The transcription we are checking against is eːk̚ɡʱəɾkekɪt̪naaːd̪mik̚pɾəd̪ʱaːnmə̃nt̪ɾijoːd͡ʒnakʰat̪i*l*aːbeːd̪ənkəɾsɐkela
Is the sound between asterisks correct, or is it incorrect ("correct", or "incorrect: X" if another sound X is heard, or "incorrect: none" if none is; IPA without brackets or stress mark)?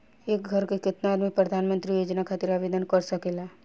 incorrect: ɾ